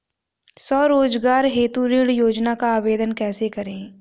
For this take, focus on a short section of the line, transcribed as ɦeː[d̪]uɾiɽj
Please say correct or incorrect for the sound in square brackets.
incorrect